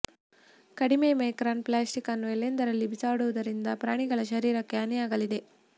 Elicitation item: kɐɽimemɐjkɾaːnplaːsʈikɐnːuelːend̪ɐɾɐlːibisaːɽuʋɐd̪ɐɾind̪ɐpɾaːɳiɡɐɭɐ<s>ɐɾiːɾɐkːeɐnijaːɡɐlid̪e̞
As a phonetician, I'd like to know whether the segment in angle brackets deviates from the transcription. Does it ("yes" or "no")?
yes